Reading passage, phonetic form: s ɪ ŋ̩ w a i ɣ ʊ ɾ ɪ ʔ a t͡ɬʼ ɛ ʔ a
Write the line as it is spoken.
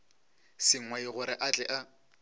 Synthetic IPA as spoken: s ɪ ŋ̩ w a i ɣ ʊ ɾ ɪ ʔ a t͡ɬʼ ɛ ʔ a

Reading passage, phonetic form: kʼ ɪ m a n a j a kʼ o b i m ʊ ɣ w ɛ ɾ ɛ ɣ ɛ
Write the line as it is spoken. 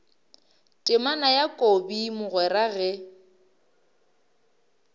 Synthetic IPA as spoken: tʼ ɪ m a n a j a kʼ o b i m ʊ ɣ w ɛ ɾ a ɣ ɛ

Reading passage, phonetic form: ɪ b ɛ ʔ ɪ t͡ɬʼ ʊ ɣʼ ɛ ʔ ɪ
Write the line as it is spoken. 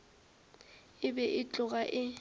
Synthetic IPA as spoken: ɪ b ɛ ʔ ɪ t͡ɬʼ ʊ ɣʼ a ʔ ɪ

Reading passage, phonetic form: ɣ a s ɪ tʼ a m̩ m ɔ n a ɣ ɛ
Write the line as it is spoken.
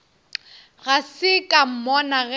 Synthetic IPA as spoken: ɣ a s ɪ kʼ a m̩ m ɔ n a ɣ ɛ

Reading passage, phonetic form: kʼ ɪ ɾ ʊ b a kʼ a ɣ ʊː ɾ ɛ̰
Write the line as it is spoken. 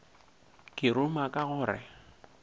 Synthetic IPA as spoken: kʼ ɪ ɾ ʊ m a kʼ a ɣ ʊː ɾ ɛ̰

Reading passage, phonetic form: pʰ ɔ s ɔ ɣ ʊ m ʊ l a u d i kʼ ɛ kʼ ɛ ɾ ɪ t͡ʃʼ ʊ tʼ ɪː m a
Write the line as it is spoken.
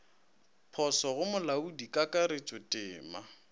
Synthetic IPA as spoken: pʰ ɔ s ɔ ɣ ʊ m ʊ l a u d i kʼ a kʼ a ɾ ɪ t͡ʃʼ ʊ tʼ ɪː m a

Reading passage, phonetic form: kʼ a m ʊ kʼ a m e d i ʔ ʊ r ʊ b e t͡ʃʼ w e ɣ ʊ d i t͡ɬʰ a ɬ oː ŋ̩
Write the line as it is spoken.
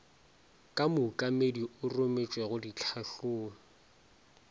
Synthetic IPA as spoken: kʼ a m ʊ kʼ a m e d i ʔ ʊ r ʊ m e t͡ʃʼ w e ɣ ʊ d i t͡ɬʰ a ɬ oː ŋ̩

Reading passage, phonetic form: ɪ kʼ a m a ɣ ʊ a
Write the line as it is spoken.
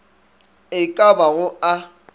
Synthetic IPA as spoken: ɪ kʼ a b a ɣ ʊ a

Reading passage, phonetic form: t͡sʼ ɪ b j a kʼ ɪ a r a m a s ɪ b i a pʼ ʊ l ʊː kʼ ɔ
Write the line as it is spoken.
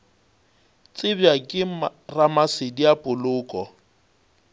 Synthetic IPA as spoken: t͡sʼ ɪ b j a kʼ ɪ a r a m a s ɪ d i a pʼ ʊ l ʊː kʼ ɔ

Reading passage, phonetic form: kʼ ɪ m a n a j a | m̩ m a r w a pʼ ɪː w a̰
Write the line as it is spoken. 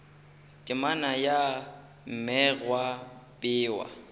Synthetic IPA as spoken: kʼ ɪ m a n a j a | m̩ m ɛ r w a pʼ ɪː w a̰

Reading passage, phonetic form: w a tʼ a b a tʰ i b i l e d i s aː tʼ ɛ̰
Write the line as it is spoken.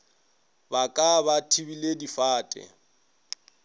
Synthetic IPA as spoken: b a kʼ a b a tʰ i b i l e d i f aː tʼ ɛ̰

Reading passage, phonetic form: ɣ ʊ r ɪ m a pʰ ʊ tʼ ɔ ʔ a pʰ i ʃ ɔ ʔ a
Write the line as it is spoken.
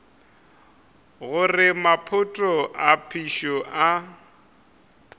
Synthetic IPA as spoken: ɣ ʊ r ɪ m a pʰ ʊ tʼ ɔ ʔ a pʰ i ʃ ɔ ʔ a

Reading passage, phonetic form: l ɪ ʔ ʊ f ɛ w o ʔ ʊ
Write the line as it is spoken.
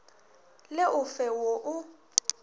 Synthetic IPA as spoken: l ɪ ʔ ʊ f ɛ w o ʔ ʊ

